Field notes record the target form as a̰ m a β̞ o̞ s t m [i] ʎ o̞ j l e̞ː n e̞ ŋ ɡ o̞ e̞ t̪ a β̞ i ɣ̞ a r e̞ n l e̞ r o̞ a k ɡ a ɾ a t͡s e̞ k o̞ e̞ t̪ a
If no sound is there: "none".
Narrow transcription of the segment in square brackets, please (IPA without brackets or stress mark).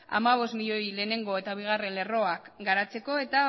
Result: i